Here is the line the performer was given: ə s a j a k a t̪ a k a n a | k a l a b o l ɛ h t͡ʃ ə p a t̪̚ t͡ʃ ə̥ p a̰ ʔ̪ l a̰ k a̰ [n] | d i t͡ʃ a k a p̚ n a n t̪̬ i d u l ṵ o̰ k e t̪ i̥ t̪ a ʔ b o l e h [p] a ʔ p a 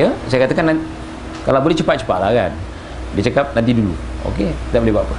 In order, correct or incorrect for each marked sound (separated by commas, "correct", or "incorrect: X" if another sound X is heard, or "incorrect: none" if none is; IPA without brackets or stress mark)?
correct, incorrect: b